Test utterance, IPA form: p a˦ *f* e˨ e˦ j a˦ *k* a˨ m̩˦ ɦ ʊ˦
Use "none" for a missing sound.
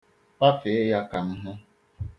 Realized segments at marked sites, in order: f, k

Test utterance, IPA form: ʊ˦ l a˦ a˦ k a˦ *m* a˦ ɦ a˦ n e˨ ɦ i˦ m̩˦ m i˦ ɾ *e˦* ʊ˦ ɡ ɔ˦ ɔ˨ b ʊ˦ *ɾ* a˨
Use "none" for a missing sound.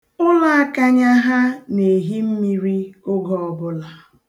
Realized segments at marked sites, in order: ɲ, i˦, l

